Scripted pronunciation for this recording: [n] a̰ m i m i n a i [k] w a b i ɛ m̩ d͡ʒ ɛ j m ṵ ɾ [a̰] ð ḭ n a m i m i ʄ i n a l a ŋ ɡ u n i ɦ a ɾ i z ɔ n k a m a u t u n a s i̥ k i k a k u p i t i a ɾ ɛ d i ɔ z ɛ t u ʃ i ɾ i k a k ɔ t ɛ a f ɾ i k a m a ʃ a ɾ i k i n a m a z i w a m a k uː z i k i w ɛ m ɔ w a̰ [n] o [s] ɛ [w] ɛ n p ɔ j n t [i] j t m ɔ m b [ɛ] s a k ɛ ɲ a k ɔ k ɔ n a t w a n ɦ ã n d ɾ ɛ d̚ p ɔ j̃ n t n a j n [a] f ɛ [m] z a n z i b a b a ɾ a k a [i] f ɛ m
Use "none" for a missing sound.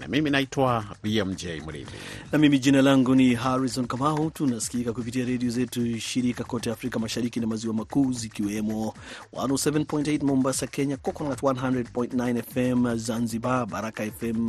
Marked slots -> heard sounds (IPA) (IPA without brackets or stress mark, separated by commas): n, t, ḭ, n, s, v, e, a, ɛ, m, ɛ